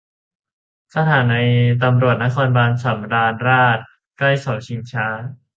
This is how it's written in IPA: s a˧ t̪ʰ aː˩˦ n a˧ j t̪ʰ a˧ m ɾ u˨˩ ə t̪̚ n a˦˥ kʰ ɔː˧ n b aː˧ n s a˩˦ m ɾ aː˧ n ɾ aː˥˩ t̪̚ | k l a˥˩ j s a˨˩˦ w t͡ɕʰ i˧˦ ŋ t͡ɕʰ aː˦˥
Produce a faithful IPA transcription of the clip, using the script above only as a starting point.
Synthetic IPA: s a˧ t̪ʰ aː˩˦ n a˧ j t̪ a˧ m ɾ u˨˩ ə t̪̚ n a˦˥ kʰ ɔː˧ n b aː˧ n s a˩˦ m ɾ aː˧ n ɾ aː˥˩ t̪̚ | k l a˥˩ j s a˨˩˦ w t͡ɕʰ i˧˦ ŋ t͡ɕʰ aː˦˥